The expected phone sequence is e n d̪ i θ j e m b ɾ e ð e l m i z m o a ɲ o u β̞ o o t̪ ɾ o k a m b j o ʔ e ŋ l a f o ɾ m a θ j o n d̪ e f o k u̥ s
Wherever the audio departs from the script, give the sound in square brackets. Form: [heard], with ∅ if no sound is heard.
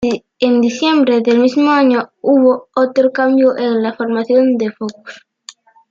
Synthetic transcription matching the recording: e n d̪ i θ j e m b ɾ e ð e l m i z m o a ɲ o u β̞ o o t̪ ɾ o k a m b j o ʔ e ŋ l a f o ɾ m a θ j o n d̪ e f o k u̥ s